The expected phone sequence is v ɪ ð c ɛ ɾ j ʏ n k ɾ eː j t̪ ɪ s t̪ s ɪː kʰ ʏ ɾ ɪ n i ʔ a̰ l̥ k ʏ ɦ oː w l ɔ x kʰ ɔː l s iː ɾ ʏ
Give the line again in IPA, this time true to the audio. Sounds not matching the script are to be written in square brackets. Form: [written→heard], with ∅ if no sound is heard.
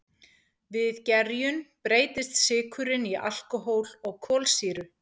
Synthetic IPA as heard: v ɪ ð c ɛ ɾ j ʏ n [k→p] ɾ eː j t̪ ɪ s t̪ s ɪː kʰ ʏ ɾ ɪ n i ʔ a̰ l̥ k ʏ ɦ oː w l ɔ [x→ɣ] kʰ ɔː l s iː ɾ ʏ